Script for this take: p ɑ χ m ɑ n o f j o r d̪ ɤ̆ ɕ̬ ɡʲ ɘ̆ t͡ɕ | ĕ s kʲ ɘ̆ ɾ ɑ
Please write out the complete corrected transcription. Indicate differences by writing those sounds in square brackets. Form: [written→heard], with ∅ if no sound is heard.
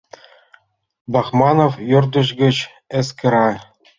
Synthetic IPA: [p→b] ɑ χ m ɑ n o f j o r d̪ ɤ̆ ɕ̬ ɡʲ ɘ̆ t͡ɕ | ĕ s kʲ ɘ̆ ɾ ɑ